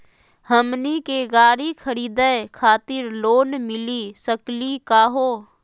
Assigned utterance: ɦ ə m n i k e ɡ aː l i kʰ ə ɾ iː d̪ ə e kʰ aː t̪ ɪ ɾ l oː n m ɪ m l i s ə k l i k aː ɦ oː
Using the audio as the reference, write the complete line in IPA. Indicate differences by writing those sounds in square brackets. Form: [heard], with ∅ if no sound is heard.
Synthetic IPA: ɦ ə m n i k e ɡ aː [ɾ] i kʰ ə ɾ iː d̪ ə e kʰ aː t̪ ɪ ɾ l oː n m ɪ [∅] l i s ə k l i k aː ɦ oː